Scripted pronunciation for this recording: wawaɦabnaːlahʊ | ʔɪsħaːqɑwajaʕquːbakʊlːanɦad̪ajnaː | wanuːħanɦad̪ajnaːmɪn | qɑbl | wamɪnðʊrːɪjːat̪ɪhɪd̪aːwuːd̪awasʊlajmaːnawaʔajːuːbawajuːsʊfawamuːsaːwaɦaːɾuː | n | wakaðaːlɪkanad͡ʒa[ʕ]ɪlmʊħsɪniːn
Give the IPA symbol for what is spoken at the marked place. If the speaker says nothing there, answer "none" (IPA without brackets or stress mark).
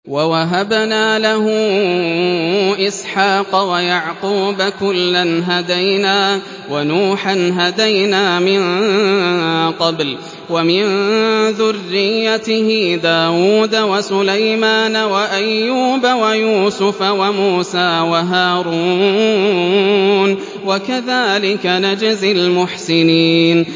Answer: z